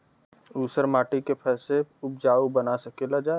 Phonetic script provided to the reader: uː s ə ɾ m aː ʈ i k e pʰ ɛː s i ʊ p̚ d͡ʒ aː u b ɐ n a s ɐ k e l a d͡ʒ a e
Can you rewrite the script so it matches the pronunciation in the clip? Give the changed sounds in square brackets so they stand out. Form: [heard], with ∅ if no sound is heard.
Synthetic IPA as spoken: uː s ə ɾ m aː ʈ i k e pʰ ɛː s [e] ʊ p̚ d͡ʒ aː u b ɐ n a s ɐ k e l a d͡ʒ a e